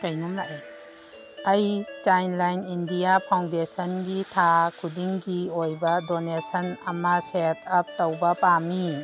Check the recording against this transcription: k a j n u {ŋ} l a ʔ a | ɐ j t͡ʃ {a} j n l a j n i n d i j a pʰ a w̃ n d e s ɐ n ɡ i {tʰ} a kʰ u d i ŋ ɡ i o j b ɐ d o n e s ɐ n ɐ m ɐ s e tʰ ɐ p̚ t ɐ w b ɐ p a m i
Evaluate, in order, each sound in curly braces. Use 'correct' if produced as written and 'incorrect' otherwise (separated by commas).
incorrect, correct, correct